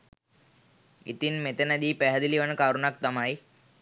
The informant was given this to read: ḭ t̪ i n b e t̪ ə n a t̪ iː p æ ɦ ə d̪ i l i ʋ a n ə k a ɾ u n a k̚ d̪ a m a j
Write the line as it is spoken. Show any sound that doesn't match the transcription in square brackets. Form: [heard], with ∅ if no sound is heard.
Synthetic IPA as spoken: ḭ t̪ i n [m] e t̪ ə n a [d̪] iː p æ ɦ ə d̪ i l i ʋ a n ə k a ɾ u n a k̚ [t̪] a m a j